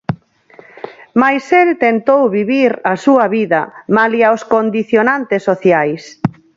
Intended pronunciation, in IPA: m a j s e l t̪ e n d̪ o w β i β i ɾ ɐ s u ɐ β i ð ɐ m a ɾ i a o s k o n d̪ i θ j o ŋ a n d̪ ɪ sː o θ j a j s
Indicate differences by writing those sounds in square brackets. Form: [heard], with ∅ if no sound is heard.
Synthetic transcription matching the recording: m a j s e l t̪ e n [t̪] o w β i β i ɾ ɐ s u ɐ β i ð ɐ m a [l] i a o s k o n d̪ i θ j o [n] a n [t̪] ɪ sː o θ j a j s